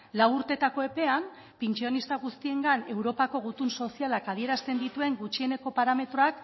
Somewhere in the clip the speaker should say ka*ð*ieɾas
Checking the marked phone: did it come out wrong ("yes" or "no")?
no